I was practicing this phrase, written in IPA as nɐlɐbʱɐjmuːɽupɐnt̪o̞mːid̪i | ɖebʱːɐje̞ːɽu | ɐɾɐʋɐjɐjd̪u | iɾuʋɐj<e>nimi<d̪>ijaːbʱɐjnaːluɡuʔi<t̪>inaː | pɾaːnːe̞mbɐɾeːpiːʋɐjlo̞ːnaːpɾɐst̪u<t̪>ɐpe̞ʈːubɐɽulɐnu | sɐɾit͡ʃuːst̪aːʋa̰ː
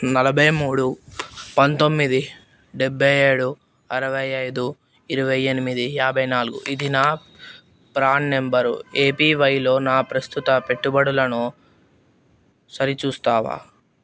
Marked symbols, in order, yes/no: yes, yes, no, yes

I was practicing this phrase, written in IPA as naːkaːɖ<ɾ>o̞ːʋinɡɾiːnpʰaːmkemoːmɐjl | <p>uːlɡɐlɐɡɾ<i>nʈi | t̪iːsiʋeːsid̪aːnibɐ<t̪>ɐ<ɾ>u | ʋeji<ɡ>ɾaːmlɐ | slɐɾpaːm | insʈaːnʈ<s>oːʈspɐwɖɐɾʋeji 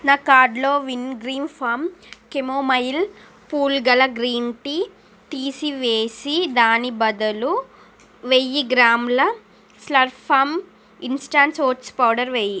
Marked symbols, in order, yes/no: no, yes, no, no, no, yes, yes

